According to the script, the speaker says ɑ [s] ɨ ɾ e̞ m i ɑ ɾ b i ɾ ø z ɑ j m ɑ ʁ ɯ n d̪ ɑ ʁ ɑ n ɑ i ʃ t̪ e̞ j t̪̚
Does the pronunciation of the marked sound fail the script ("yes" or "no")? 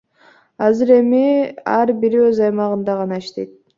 yes